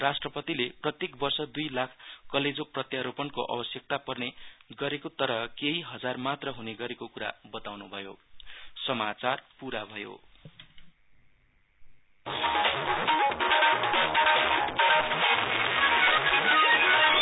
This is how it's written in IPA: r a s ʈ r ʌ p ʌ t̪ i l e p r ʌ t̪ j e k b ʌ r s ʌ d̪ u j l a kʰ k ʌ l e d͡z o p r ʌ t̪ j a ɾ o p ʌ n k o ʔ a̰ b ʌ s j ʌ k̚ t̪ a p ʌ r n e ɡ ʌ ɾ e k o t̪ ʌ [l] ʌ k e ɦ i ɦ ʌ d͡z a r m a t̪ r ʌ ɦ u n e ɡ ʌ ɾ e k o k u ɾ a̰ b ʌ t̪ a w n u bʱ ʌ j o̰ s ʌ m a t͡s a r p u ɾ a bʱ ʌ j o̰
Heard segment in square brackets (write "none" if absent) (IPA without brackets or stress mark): ɾ